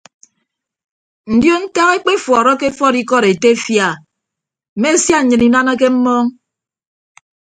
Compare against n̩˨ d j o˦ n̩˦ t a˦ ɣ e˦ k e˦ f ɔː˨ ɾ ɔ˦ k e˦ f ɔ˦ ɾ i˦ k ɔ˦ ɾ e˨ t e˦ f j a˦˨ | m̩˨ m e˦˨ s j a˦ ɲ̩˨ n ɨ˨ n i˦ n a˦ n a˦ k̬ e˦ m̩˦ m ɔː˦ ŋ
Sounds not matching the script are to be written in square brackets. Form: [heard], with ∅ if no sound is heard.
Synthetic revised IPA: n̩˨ d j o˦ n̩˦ t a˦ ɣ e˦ [k͡p] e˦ f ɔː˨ ɾ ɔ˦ k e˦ f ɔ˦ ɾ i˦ k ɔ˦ ɾ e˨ t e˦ f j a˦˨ | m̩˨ m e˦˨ s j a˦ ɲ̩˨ [ɲ] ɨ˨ n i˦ n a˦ n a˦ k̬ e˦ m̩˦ m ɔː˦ ŋ